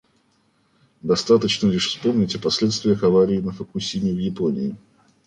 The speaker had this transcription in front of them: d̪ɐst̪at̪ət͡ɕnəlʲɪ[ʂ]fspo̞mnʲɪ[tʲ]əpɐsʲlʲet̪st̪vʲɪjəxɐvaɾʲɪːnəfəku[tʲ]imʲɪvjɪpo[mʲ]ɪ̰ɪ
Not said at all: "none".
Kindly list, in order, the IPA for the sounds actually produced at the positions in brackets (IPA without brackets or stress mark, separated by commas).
ʂ, tʲ, sʲ, nʲ